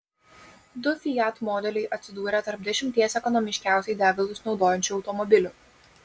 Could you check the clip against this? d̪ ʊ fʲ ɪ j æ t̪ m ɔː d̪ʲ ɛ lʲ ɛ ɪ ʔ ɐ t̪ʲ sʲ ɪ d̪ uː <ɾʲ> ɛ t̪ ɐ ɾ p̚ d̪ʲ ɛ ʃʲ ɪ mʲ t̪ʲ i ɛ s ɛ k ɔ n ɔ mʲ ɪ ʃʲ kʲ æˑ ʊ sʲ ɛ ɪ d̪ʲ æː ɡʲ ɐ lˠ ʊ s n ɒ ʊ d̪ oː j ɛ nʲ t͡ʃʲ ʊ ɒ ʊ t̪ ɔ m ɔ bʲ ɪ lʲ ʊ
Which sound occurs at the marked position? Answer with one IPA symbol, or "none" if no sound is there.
ɾʲ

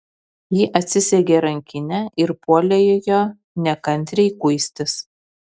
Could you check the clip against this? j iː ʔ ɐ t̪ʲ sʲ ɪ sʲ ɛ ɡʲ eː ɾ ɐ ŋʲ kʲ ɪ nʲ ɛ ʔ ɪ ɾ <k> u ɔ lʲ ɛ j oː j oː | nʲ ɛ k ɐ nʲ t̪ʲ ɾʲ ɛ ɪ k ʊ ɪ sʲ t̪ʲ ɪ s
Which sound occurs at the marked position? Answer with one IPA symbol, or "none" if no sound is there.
p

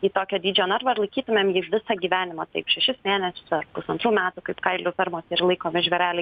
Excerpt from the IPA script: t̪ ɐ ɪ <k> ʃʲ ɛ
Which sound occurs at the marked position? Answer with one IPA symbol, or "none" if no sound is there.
p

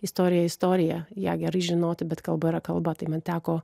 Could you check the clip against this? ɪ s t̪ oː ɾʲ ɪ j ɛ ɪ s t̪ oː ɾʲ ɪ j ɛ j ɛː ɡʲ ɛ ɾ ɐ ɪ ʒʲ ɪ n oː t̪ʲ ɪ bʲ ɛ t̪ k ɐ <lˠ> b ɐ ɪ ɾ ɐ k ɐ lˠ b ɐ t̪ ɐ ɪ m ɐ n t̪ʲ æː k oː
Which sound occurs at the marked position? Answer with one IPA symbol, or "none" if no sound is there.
lˠ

